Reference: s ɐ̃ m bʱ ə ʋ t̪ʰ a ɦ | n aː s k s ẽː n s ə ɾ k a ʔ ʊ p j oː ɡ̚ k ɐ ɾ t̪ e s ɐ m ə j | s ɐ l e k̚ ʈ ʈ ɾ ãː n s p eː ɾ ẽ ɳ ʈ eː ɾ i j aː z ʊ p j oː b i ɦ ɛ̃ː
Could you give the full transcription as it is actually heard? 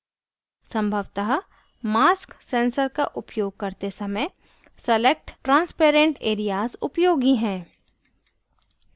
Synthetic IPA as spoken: s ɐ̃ m bʱ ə ʋ t̪ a ɦ | m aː s k s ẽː n s ə ɾ k a ʔ ʊ p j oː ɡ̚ k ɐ ɾ t̪ e s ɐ m ə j | s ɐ l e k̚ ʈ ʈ ɾ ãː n s p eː ɾ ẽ ɳ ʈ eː ɾ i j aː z ʊ p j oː ɡ i ɦ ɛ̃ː